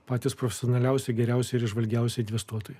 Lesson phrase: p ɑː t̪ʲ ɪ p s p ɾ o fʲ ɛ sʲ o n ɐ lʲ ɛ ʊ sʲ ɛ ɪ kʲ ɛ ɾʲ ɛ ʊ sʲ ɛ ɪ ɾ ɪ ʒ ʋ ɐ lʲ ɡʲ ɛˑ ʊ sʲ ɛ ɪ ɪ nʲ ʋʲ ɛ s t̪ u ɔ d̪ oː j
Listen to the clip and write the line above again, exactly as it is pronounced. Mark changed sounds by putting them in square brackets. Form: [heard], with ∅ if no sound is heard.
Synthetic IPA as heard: p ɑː t̪ʲ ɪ [∅] s p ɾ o fʲ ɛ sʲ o n ɐ lʲ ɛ ʊ sʲ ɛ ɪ [ɡʲ] ɛ ɾʲ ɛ ʊ sʲ ɛ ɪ ɾ ɪ ʒ ʋ ɐ lʲ ɡʲ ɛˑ ʊ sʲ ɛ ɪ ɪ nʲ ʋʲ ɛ s t̪ u ɔ [t̪] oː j